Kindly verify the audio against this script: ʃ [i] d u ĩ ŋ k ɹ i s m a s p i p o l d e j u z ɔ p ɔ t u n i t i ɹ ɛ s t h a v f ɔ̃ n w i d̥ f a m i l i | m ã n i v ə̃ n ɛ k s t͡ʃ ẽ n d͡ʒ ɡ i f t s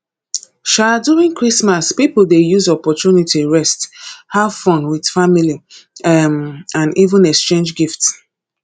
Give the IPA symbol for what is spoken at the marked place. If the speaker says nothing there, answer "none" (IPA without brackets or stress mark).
a